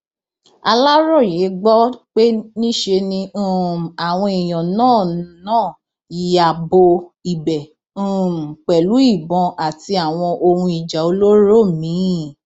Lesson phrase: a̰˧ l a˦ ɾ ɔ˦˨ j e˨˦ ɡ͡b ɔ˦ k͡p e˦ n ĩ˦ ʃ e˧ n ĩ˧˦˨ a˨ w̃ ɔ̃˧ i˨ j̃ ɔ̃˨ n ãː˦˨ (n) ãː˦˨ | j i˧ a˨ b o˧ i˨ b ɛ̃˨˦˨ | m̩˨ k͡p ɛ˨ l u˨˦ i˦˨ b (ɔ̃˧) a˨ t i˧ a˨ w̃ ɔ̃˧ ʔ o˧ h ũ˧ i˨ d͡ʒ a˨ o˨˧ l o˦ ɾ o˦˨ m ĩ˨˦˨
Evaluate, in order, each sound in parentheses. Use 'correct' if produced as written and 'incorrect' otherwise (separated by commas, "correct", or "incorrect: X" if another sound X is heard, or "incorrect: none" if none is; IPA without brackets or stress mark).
correct, correct